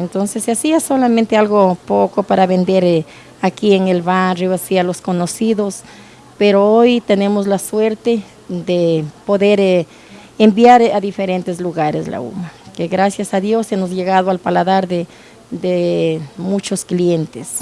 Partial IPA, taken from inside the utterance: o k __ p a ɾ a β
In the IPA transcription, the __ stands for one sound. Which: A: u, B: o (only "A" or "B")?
B